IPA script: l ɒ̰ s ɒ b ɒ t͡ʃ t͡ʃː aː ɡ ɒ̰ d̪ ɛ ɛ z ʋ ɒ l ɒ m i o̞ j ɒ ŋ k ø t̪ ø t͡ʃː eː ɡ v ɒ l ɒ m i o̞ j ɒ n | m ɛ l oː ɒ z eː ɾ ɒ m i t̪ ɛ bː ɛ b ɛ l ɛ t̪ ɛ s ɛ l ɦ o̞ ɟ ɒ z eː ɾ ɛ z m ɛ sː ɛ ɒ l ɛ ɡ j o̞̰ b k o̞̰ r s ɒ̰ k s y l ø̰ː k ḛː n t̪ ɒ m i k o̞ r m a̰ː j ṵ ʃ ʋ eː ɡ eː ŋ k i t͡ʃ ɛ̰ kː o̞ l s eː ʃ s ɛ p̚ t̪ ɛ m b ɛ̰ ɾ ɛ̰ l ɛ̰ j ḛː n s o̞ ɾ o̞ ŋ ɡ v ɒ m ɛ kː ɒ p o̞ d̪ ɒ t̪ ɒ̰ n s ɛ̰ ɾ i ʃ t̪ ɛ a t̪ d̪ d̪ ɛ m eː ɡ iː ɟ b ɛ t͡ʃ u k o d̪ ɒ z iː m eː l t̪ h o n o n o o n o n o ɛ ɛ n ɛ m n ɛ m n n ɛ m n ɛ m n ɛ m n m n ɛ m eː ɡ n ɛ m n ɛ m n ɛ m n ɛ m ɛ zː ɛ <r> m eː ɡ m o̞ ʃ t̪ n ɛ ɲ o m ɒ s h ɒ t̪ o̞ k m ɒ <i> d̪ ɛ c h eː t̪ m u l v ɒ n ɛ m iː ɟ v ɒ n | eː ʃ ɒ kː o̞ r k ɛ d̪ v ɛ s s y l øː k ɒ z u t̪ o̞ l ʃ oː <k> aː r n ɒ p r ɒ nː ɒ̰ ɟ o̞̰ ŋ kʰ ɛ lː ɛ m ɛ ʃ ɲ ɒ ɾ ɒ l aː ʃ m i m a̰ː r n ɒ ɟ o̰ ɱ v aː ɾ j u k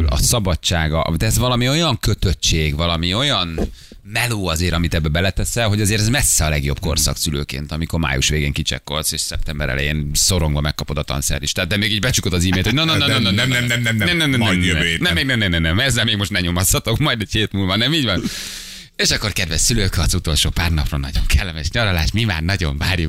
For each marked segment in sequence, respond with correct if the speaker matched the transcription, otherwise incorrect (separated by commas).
incorrect, incorrect, incorrect